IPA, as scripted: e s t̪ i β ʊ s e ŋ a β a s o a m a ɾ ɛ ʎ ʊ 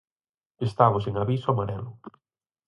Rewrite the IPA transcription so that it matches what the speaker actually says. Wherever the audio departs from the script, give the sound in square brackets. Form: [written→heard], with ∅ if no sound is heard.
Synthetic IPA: e s t̪ [i→a] β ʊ s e ŋ a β [a→i] s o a m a ɾ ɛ [ʎ→l] ʊ